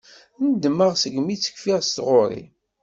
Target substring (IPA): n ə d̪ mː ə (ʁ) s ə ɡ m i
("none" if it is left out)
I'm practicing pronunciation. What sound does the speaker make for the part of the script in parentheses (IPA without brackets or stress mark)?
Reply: ʁ